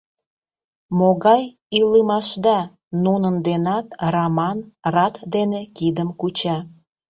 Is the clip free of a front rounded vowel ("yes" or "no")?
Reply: yes